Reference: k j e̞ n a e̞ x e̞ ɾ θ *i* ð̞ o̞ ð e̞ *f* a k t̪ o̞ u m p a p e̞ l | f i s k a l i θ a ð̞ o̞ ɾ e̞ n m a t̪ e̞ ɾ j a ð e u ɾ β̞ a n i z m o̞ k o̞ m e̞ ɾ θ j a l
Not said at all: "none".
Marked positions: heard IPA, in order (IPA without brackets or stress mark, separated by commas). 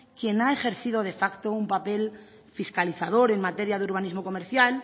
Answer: i, f